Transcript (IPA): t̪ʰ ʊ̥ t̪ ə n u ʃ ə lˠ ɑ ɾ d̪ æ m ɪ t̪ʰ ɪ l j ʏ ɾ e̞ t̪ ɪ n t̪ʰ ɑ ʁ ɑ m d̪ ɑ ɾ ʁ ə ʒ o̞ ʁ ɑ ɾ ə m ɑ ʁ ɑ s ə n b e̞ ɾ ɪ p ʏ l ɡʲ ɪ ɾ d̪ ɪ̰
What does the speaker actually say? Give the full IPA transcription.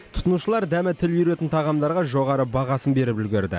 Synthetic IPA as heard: t̪ʰ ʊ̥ t̪ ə n u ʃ ə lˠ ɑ ɾ d̪ æ m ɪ t̪ʰ ɪ l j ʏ ɾ e̞ t̪ ɪ n t̪ʰ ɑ ʁ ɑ m d̪ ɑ ɾ ʁ ɑ ʒ o̞ ʁ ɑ ɾ ə b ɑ ʁ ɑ s ə n b e̞ ɾ ɪ p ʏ l ɡʲ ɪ ɾ d̪ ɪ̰